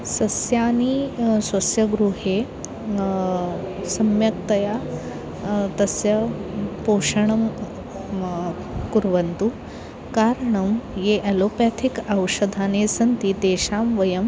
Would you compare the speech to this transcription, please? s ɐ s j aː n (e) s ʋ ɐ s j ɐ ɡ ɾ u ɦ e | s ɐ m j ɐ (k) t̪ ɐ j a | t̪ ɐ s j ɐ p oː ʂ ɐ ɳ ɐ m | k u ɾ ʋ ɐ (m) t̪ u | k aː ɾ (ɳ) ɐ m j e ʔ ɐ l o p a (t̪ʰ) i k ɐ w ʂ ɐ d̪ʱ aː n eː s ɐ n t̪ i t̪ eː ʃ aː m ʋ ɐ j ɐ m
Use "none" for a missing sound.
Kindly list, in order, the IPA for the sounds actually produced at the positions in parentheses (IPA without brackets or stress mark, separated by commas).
i, k, n, ɳ, t̪ʰ